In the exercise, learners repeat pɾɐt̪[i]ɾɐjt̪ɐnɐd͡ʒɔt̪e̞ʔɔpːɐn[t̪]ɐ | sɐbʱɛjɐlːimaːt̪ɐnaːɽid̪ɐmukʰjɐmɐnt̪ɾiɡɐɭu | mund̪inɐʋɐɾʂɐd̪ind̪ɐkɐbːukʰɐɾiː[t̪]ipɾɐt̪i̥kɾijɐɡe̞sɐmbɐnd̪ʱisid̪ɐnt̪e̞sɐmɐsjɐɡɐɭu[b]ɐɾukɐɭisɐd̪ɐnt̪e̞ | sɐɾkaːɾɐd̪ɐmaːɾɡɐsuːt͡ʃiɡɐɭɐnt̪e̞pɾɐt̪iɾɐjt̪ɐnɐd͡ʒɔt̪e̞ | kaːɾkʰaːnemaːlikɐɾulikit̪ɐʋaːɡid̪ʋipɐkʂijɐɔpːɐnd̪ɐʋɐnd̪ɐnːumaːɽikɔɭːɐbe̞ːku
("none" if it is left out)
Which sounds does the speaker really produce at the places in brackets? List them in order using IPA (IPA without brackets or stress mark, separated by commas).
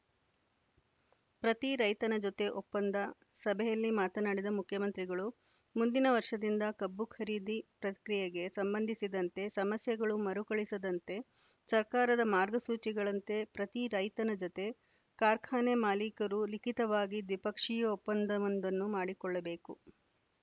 i, d̪, d̪, m